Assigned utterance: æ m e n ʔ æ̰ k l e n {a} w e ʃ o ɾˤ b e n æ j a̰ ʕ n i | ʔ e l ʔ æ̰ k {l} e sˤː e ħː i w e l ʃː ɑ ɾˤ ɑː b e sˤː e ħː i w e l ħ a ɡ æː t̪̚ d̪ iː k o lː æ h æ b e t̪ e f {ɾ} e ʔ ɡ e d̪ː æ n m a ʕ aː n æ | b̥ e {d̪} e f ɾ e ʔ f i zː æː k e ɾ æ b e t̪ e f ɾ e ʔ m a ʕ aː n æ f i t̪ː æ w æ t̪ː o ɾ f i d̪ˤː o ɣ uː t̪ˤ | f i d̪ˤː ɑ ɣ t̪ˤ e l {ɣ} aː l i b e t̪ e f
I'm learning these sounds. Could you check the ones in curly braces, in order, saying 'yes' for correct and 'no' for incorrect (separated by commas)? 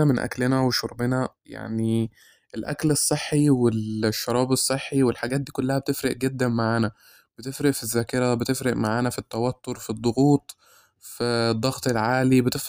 no, yes, yes, no, no